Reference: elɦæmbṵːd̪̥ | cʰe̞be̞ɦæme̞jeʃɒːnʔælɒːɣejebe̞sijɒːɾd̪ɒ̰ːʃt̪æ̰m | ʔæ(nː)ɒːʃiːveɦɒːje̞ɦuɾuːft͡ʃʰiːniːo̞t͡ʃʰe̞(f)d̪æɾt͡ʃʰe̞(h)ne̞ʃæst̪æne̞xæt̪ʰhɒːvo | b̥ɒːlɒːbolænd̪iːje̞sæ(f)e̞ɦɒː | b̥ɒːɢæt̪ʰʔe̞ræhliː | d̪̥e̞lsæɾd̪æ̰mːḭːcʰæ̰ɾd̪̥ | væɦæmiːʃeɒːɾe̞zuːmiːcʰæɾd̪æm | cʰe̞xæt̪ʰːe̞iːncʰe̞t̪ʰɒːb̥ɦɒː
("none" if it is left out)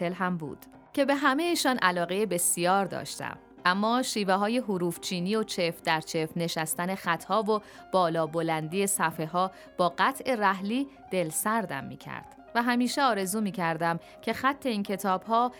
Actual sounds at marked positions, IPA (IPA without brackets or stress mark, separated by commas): mː, f, f, f